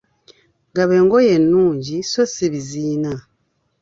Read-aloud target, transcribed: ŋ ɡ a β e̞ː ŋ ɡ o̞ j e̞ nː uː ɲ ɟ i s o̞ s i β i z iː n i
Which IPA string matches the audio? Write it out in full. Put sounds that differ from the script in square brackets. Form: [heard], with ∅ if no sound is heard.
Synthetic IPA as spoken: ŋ ɡ a β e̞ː ŋ ɡ o̞ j e̞ nː uː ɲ ɟ i s o̞ s i β i z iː n [a]